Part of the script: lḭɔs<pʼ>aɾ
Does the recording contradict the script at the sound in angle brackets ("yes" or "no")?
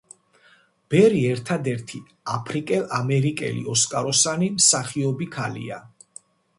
yes